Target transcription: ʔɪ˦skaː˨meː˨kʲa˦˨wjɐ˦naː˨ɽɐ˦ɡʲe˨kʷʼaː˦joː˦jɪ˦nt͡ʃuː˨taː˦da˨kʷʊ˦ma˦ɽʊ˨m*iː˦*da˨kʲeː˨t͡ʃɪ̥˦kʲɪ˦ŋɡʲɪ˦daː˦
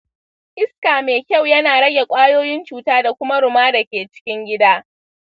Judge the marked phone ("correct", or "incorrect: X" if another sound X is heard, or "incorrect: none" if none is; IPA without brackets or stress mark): incorrect: aː˦